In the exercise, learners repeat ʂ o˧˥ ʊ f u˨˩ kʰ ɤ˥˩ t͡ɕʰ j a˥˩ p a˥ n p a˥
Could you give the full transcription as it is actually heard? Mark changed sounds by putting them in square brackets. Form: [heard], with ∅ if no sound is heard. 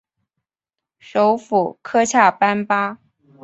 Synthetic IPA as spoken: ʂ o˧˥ ʊ f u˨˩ kʰ [ɤ˥] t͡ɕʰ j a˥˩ p a˥ n p a˥